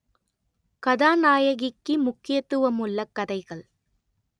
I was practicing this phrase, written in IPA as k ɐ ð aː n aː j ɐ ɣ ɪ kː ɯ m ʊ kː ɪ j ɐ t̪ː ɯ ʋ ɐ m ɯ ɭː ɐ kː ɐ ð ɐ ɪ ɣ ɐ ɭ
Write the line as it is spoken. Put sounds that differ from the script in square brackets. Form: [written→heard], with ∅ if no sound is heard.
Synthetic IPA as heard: k ɐ ð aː n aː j ɐ ɣ ɪ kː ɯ m ʊ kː ɪ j ɐ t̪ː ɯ ʋ ɐ m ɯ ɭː ɐ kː ɐ ð ɐ ɪ ɣ ɐ ɭ